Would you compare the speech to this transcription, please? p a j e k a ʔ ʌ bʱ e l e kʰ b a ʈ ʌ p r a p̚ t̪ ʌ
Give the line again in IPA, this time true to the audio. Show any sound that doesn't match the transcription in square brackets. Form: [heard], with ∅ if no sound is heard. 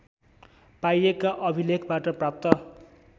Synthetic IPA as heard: p a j e k a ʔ ʌ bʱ [i] l e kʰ b a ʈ ʌ p r a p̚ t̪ ʌ